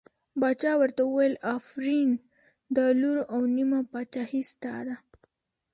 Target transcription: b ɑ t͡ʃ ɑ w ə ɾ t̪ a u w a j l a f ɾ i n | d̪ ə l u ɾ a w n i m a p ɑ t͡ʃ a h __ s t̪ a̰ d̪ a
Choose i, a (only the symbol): i